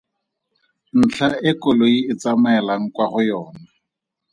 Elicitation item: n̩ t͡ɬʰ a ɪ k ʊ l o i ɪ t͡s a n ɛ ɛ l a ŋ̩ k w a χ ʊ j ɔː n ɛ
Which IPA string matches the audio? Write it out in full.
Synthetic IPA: n̩ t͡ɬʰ a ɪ k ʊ l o i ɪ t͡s a m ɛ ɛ l a ŋ̩ k w a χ ʊ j ɔː n a